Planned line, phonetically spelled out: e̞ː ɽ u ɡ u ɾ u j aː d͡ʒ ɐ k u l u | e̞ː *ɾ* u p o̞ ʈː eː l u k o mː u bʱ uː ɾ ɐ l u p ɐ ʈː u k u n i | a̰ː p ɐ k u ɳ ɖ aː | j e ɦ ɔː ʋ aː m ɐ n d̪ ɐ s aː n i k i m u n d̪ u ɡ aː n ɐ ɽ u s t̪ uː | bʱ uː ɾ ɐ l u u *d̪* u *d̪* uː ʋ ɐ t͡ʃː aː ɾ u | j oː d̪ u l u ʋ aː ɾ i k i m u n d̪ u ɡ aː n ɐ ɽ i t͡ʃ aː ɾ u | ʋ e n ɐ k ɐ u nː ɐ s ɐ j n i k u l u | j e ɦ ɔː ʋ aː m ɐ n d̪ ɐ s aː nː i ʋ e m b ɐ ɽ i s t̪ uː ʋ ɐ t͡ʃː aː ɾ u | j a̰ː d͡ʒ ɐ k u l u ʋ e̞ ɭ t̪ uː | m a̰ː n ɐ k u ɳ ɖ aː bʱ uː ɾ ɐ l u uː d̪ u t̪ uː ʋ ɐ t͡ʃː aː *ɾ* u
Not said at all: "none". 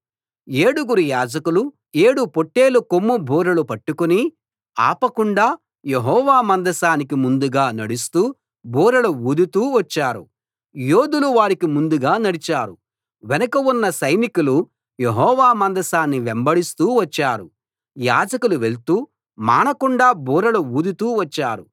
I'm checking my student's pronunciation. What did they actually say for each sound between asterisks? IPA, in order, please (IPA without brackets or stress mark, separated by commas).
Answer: ɽ, d̪, t̪, ɾ